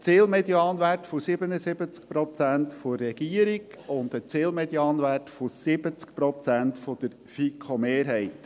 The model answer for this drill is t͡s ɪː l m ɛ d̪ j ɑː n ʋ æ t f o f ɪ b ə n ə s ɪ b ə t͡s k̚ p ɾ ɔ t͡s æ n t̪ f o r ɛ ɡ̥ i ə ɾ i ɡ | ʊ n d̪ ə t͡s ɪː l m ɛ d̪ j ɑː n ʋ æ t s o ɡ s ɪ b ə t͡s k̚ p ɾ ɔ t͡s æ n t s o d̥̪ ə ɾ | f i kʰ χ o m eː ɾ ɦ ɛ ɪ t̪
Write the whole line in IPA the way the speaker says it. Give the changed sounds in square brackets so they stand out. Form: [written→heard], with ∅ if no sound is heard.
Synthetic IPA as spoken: t͡s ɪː l m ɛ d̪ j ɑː n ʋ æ t f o [f→s] ɪ b ə n ə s ɪ b ə t͡s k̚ p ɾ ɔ t͡s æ n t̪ f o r ɛ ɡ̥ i ə ɾ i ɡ | ʊ n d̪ ə t͡s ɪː l m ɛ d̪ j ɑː n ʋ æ t [s→f] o [ɡ→∅] s ɪ b ə t͡s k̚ p ɾ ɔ t͡s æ n t [s→f] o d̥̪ ə ɾ | f i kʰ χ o m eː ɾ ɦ ɛ ɪ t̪